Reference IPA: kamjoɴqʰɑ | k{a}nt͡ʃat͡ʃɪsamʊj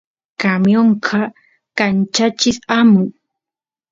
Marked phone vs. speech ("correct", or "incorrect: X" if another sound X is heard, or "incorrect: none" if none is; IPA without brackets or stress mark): correct